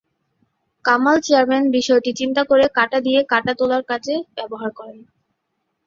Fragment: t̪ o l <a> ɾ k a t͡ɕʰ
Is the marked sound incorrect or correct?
correct